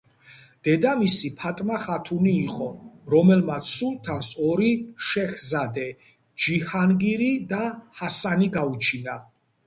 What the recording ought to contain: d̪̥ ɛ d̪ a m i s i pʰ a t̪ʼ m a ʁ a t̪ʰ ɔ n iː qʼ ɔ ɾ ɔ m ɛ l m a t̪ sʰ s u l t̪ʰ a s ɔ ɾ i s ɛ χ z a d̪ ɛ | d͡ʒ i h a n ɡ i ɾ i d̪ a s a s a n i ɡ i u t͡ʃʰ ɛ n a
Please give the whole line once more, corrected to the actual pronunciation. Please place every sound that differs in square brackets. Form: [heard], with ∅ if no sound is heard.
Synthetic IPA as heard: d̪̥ ɛ d̪ a m i s i pʰ a t̪ʼ m a [χ] a t̪ʰ [u] n iː qʼ ɔ ɾ ɔ m ɛ l m a t̪ sʰ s u l t̪ʰ a s ɔ ɾ i [ʃ] ɛ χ z a d̪ ɛ | d͡ʒ i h a n ɡ i ɾ i d̪ a [h] a s a n i ɡ [a] u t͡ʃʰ [i] n a